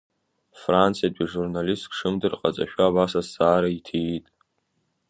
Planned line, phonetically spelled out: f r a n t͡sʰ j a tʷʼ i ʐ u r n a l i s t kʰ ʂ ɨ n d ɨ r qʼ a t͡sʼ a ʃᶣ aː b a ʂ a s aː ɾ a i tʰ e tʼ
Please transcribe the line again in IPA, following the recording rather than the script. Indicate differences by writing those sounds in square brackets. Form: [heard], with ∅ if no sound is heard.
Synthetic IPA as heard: f r a n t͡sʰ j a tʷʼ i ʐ u r n a l i s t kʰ ʂ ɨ [m] d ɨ r qʼ a t͡sʼ a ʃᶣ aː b a [s] a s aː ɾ a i tʰ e tʼ